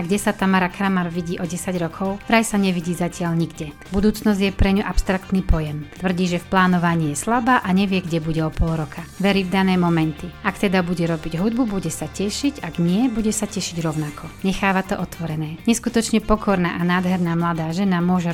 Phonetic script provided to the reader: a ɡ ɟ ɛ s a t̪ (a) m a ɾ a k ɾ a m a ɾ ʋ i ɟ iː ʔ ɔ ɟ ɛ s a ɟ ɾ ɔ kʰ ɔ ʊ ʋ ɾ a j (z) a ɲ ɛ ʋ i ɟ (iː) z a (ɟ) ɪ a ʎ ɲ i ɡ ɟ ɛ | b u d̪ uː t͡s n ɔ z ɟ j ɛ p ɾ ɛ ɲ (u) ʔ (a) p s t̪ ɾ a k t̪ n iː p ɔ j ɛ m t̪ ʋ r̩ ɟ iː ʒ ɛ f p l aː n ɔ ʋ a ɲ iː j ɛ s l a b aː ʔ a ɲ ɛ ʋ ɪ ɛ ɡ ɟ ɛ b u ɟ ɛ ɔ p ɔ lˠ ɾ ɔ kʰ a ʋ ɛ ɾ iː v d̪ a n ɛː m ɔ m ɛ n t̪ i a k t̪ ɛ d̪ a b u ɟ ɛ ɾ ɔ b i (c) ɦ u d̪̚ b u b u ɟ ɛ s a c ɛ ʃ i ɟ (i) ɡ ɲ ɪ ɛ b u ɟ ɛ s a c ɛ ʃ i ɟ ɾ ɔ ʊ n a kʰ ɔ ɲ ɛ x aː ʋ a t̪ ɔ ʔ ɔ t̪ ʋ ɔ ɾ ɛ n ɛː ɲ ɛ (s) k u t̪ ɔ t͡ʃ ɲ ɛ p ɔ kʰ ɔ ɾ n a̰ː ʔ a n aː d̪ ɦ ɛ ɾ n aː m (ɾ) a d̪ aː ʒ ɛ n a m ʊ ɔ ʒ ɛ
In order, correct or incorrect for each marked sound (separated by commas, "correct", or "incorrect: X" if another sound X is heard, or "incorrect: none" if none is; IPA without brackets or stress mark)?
correct, incorrect: s, correct, incorrect: c, correct, correct, incorrect: ɟ, incorrect: a, correct, incorrect: l